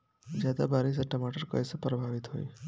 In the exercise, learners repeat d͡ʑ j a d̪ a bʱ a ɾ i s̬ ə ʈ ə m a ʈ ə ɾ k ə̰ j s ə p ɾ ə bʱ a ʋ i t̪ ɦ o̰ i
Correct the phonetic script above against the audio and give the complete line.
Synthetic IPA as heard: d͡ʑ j a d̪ a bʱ a ɾ i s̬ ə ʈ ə m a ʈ ə ɾ k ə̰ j s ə p ɾ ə bʱ a ʋ i t̪ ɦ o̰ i

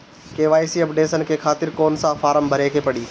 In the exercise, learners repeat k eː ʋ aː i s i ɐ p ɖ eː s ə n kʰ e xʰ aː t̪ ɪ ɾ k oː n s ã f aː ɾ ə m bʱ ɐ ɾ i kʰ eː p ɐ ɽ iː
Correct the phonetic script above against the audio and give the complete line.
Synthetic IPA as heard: k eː ʋ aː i s i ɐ p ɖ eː s ə n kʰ e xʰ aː t̪ ɪ ɾ k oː n s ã f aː ɾ ə m bʱ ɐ ɾ e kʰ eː p ɐ ɽ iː

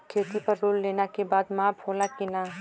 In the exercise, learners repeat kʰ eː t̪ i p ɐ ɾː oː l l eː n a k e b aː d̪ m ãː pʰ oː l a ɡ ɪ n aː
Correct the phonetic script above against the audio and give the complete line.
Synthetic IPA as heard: kʰ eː t̪ i p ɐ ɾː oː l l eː n a k e b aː d̪ m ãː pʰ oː l a k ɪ n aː

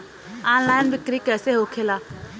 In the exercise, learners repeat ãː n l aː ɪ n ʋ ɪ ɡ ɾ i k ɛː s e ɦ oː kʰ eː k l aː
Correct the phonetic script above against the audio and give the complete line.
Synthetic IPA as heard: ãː n l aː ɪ n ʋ ɪ k ɾ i k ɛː s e ɦ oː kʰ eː l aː

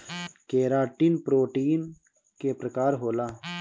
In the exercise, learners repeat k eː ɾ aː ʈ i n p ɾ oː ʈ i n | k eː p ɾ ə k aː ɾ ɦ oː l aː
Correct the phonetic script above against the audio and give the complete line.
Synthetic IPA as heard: k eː ɾ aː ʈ i n p ɾ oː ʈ iː n | k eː p ɾ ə k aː ɾ ɦ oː l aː

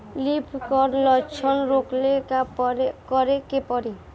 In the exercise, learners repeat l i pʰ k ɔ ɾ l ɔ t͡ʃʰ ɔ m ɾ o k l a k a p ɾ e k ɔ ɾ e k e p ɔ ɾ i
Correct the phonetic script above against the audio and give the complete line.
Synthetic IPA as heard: l i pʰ k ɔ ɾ l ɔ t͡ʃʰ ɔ n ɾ o k l e k a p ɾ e k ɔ ɾ e k e p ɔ ɾ i

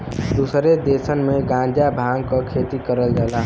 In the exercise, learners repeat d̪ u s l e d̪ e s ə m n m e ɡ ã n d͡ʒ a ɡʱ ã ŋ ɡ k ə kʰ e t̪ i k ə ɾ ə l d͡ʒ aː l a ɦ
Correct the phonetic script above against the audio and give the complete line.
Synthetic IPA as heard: d̪ u s ɾ e d̪ e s ə n m e ɡ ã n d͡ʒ a bʱ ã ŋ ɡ k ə kʰ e t̪ i k ə ɾ ə l d͡ʒ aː l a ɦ

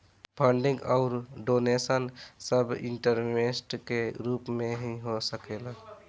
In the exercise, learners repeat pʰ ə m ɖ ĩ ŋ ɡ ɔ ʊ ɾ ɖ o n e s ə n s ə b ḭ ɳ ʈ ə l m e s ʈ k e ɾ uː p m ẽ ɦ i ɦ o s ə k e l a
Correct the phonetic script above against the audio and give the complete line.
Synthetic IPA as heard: pʰ ə ɳ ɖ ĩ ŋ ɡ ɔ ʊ ɾ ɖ o n e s ə n s ə b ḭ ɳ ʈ ə ɾ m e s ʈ k e ɾ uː p m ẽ ɦ i ɦ o s ə k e l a

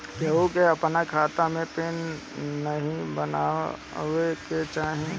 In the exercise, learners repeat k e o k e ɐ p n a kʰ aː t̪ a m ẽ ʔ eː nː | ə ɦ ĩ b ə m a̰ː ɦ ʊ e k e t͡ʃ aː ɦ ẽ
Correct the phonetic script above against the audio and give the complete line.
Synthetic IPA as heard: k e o k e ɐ p n a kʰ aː t̪ a m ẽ p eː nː | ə ɦ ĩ b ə n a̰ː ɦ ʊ e k e t͡ʃ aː ɦ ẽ

